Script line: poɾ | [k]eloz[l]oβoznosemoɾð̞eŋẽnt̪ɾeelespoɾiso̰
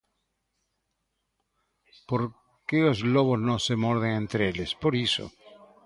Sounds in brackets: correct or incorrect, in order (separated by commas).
correct, correct